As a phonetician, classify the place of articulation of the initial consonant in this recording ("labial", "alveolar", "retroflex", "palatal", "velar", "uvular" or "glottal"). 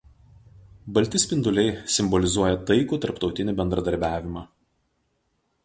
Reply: labial